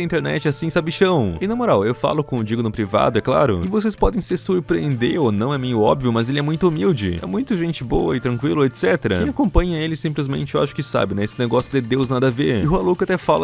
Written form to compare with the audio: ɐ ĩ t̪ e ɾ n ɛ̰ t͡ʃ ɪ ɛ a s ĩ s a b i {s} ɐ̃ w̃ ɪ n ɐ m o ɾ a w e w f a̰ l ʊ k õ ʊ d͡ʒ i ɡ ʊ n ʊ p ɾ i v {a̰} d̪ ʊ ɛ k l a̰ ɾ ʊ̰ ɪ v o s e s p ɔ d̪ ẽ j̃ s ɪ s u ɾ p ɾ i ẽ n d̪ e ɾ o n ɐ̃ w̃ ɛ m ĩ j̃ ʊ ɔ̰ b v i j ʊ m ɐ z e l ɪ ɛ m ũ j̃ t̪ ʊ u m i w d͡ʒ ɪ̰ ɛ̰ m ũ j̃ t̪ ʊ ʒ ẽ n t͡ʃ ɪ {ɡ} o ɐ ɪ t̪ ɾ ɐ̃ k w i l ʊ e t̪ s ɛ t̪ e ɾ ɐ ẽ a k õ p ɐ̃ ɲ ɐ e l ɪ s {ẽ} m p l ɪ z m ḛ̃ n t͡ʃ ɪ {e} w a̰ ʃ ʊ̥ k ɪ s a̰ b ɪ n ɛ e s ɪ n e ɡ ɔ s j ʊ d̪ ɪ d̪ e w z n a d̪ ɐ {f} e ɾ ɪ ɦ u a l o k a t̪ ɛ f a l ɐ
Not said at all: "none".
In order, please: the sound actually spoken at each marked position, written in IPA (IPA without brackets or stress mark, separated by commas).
ʃ, a̰, b, ĩ, e, v